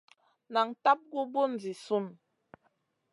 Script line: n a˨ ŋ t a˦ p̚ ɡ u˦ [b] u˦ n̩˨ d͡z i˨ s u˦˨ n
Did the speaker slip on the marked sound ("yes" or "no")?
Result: no